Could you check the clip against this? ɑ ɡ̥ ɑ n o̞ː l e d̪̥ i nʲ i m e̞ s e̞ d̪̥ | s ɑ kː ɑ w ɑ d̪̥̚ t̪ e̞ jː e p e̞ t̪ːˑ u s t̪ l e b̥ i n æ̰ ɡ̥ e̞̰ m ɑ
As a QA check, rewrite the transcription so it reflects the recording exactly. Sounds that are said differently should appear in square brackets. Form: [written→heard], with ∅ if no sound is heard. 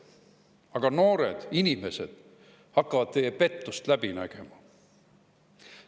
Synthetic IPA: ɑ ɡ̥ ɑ n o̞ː [l→ɾ] e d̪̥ i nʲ i m e̞ s e̞ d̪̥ | [s→h] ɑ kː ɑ [w→v] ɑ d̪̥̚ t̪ e̞ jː e p e̞ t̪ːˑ u s t̪ l [e→æ] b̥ i n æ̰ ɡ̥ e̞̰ m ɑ

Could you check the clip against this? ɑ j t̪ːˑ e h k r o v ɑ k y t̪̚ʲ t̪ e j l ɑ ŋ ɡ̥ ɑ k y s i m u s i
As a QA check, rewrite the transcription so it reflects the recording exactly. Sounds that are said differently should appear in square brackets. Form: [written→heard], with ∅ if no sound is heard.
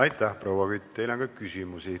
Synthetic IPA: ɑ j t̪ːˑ [e→æ] h [k→p] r o [v→w] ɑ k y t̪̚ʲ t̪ e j l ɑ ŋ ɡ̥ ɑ k y s i m u s i

